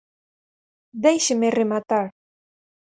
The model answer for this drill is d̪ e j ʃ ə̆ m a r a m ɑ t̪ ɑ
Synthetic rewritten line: d̪ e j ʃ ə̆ m e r e m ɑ t̪ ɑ